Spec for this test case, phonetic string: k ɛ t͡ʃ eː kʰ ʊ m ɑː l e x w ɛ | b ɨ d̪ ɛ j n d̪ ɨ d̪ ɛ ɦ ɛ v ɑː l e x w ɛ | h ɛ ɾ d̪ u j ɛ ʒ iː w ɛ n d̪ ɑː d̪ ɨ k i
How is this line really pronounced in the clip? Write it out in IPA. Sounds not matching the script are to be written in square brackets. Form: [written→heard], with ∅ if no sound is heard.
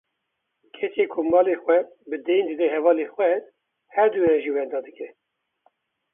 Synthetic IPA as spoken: [k→kʰ] ɛ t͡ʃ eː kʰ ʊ m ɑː l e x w ɛ | b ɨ d̪ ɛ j n d̪ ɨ d̪ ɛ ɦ ɛ v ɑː l e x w ɛ | h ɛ ɾ d̪ u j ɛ ʒ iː w ɛ n d̪ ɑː d̪ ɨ k [i→ɛ]